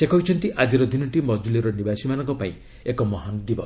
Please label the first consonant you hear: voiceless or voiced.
voiceless